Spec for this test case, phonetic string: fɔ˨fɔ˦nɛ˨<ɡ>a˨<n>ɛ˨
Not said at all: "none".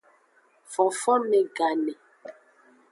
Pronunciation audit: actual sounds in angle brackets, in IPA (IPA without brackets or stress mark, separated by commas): ɡ, n